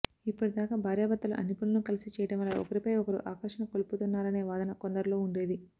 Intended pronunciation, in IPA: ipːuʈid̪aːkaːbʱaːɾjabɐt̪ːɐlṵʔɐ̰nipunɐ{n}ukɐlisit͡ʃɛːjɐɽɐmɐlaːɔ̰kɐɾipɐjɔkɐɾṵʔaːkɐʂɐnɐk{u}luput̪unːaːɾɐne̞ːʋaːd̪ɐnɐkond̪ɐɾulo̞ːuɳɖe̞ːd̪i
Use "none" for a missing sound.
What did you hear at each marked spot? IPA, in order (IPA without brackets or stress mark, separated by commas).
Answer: n, o